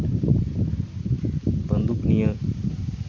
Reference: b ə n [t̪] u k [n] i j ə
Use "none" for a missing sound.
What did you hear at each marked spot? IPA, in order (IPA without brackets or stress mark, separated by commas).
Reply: d̪, n